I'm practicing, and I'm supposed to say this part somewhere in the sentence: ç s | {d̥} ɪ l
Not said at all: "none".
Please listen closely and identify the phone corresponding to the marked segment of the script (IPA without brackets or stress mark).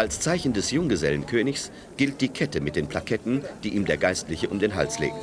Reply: ɡ̥